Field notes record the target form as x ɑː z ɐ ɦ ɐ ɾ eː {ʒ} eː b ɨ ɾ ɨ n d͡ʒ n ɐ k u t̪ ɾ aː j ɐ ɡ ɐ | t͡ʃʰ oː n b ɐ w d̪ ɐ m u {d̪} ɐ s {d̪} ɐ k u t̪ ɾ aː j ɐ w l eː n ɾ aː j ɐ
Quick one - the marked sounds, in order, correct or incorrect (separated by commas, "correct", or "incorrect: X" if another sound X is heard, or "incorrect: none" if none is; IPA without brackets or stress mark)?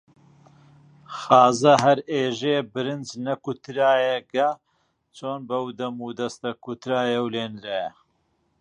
correct, correct, incorrect: t̪